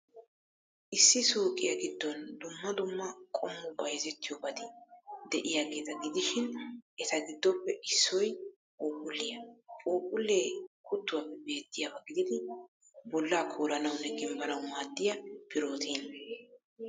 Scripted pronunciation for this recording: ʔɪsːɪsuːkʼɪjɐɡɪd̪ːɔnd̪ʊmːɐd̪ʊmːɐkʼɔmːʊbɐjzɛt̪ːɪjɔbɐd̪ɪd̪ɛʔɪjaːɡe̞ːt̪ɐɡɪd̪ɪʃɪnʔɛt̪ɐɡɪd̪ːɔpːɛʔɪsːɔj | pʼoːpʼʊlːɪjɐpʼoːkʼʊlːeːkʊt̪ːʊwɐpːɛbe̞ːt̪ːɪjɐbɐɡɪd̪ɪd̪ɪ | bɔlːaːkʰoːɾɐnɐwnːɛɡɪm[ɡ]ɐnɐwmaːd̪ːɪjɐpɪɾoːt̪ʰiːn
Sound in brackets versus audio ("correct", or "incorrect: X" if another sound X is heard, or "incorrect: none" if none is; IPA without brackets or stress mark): incorrect: b